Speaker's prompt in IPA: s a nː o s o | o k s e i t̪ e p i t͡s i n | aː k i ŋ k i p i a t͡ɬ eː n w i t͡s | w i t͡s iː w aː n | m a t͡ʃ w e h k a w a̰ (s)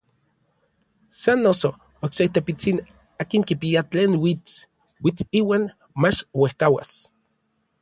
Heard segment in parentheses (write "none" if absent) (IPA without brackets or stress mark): s